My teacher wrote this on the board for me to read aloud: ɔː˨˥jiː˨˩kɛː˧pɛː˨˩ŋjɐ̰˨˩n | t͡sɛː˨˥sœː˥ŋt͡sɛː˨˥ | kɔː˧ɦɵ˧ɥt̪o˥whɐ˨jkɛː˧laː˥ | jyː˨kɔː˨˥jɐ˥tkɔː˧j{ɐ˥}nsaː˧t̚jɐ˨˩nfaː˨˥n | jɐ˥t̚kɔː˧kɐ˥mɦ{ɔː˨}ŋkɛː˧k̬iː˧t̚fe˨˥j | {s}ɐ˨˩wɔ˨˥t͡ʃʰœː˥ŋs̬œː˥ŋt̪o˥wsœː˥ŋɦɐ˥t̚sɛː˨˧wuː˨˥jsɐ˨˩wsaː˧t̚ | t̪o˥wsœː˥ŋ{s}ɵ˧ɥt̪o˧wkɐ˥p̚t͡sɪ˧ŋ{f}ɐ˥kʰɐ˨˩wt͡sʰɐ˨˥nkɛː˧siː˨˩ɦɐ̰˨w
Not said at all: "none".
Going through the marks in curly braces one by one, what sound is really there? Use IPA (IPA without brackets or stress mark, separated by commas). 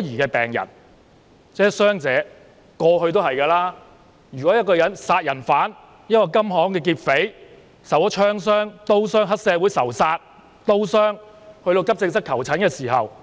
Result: ɐ˨˥, ɔː˨˥, s, h, s